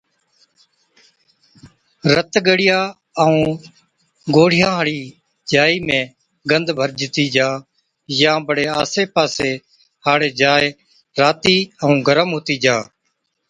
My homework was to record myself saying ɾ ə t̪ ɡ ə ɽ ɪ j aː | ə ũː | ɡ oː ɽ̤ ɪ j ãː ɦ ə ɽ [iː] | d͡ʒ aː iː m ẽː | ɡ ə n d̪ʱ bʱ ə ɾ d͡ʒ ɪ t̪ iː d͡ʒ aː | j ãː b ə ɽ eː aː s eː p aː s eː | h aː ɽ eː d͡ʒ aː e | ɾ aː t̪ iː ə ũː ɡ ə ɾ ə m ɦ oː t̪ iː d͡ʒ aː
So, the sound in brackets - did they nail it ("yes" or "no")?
yes